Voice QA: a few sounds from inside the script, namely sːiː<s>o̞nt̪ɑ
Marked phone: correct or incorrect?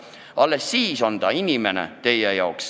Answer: correct